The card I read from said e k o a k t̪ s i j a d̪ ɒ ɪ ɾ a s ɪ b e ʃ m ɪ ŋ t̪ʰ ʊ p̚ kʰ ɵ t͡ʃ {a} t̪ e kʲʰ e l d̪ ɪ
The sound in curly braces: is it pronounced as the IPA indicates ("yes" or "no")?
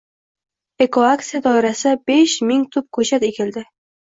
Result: yes